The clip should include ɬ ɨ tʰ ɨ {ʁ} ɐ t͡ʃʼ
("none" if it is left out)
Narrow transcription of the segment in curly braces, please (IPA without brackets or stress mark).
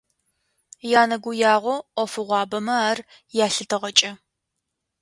ʁ